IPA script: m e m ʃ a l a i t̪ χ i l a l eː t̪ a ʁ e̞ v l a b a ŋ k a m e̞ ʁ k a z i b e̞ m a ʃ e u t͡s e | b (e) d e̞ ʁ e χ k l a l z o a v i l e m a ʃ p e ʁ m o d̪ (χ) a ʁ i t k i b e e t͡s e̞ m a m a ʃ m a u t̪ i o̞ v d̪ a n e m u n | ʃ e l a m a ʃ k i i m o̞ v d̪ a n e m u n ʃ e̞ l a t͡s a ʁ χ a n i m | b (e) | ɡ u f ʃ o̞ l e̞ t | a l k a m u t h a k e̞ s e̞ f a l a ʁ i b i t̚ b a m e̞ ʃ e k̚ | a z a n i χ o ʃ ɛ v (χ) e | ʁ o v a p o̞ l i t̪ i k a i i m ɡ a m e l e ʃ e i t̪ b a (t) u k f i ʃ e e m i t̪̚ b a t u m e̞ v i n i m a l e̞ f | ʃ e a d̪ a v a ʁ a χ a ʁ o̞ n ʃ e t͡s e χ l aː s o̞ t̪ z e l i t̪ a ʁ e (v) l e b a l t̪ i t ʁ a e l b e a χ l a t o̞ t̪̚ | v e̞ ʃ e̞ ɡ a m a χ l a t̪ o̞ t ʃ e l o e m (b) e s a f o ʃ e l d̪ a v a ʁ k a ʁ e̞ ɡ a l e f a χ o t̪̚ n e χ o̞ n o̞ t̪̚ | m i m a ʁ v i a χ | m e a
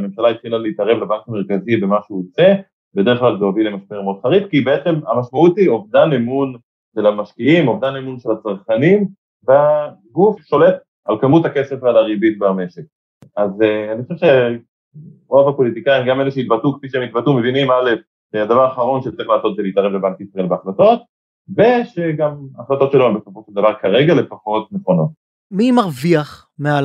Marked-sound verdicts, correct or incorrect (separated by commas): correct, correct, incorrect, incorrect, correct, correct, correct